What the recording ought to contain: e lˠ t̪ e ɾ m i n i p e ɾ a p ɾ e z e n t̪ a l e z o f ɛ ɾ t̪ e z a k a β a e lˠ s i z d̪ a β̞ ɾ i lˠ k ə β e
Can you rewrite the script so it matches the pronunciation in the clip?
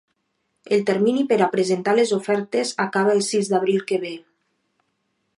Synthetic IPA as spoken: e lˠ t̪ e ɾ m i n i p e ɾ a p ɾ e z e n t̪ a l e z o f ɛ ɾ t̪ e z a k a β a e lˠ s i z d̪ a β̞ ɾ i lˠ k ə β e

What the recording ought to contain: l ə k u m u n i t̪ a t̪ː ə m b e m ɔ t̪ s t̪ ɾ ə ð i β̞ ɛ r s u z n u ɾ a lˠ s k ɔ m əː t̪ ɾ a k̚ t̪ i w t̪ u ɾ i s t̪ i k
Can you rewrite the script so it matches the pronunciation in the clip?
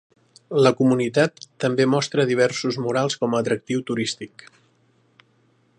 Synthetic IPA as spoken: l ə k u m u n i t̪ a t̪ː ə m b e m ɔ s t̪ ɾ ə ð i β̞ ɛ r s u z m u ɾ a lˠ s k ɔ m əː t̪ ɾ ə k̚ t̪ i w t̪ u ɾ i s t̪ i k

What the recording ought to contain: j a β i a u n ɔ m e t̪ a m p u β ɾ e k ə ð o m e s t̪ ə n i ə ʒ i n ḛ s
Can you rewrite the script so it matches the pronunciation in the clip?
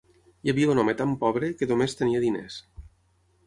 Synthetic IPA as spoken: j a β i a u n ɔ m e t̪ a m p ɔ β ɾ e k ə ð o m e s t̪ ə n i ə ð i n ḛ s

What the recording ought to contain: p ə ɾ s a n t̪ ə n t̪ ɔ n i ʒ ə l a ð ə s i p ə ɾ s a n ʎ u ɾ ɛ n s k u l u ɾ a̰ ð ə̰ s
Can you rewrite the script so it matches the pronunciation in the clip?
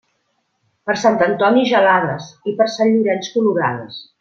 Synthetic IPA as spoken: p ə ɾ s a n t̪ ə n t̪ ɔ n i ʒ ə l a ð ə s i p ə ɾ s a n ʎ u ɾ ɛ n s k u l u ɾ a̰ ð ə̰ s

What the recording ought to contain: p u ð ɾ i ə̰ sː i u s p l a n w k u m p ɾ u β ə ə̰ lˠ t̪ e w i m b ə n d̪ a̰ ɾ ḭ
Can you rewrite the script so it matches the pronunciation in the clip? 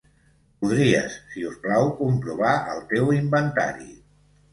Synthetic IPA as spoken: p u ð ɾ i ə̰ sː i u s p l a w k u m p ɾ u β a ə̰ lˠ t̪ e w i m b ə n t̪ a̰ ɾ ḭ

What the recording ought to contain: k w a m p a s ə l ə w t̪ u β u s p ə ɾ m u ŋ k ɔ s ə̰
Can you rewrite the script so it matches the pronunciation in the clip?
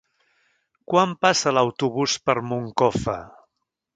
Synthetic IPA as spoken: k w a m p a s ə l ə w t̪ u β u s p ə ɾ m u ŋ k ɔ f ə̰

